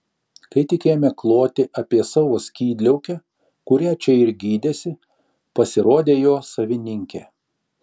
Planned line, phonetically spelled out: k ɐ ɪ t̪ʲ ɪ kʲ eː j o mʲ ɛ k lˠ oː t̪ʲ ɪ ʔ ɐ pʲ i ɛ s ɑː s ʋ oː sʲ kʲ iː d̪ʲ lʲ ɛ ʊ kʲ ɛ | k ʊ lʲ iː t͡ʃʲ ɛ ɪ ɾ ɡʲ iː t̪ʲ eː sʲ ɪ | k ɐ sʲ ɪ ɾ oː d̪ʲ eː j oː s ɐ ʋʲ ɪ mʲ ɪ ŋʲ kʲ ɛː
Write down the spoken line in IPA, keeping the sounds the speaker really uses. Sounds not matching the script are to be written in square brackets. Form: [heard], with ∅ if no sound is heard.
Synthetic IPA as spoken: k ɐ ɪ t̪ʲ ɪ kʲ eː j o mʲ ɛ k lˠ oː t̪ʲ ɪ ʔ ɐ pʲ i ɛ s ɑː [∅] ʋ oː sʲ kʲ iː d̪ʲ lʲ ɛ ʊ kʲ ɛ | k ʊ [ɾʲ] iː t͡ʃʲ ɛ ɪ ɾ ɡʲ iː [d̪ʲ] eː sʲ ɪ | [p] ɐ sʲ ɪ ɾ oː d̪ʲ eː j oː s ɐ ʋʲ ɪ [nʲ] ɪ ŋʲ kʲ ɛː

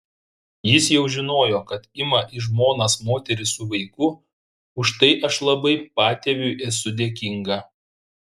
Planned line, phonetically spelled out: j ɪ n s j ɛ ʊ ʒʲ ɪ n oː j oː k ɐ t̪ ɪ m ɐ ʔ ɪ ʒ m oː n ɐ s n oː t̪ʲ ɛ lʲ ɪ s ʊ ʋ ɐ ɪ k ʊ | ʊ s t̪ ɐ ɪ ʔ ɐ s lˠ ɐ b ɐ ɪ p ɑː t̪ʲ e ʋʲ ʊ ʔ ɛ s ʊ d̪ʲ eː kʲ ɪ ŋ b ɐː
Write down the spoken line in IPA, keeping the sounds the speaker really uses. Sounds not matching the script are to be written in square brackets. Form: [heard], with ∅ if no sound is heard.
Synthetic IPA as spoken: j ɪ [∅] s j ɛ ʊ ʒʲ ɪ n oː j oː k ɐ t̪ ɪ m ɐ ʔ ɪ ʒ m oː n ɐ s [m] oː t̪ʲ ɛ [ɾʲ] ɪ s ʊ ʋ ɐ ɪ k ʊ | ʊ [ʃ] t̪ ɐ ɪ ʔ ɐ [ʃ] lˠ ɐ b ɐ ɪ p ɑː t̪ʲ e ʋʲ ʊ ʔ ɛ s ʊ d̪ʲ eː kʲ ɪ ŋ [ɡ] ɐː

